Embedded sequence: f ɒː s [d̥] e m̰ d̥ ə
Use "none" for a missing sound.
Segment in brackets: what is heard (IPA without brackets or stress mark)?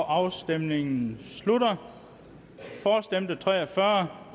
d̥